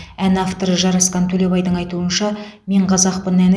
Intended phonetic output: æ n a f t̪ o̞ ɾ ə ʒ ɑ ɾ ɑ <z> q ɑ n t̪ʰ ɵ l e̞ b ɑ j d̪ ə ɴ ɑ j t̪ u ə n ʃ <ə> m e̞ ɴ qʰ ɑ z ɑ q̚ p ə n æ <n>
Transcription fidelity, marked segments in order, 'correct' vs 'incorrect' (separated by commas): incorrect, incorrect, correct